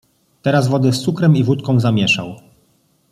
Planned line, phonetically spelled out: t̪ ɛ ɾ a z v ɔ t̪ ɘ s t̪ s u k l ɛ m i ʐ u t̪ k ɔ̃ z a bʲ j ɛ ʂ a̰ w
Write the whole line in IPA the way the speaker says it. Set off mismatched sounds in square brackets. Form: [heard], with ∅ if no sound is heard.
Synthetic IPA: t̪ ɛ ɾ a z v ɔ [d̪] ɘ s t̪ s u k [ɾ] ɛ m i [v] u t̪ k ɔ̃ z a [mʲ] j ɛ ʂ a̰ w